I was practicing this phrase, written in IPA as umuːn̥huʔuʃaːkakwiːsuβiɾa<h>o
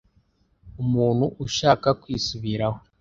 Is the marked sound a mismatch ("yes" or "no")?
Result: no